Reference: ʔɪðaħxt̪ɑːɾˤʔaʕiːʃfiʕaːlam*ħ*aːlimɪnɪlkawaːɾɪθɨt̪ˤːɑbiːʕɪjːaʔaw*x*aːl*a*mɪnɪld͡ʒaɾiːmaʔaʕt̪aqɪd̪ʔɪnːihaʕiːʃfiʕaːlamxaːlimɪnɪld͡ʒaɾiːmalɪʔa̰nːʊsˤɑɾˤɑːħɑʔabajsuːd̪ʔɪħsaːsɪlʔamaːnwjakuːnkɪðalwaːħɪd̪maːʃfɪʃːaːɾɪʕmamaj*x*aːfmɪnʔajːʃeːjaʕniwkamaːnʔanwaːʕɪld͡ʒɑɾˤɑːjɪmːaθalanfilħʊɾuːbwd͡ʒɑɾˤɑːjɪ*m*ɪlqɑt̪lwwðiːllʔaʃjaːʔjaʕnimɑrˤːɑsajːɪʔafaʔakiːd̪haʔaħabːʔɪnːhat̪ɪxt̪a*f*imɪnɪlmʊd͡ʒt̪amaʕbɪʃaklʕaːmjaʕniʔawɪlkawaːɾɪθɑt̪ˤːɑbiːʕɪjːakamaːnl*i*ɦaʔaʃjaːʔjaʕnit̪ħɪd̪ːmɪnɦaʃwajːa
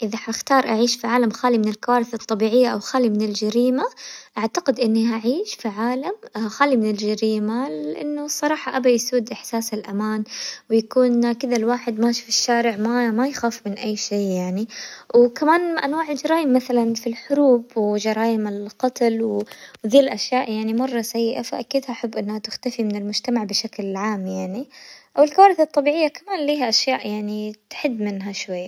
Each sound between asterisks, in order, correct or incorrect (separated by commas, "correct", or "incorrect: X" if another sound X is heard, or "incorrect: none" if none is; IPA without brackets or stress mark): incorrect: x, correct, incorrect: i, correct, correct, correct, incorrect: iː